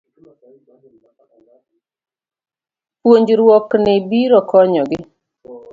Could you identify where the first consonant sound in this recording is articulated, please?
labial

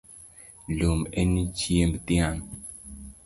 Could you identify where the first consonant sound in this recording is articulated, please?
alveolar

